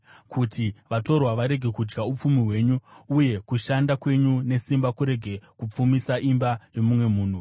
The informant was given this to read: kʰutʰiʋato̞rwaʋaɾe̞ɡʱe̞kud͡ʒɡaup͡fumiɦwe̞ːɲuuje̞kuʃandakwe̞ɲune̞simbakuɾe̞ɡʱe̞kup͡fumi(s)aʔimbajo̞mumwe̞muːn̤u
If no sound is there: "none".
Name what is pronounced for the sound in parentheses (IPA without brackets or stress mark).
s